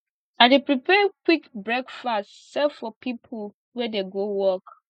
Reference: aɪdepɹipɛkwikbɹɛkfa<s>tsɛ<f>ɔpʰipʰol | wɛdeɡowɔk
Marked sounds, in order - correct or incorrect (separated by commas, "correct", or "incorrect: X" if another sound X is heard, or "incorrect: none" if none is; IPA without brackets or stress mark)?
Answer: correct, correct